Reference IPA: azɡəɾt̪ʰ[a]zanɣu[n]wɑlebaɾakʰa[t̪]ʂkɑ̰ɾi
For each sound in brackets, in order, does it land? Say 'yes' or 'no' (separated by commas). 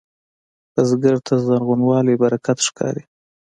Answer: yes, yes, yes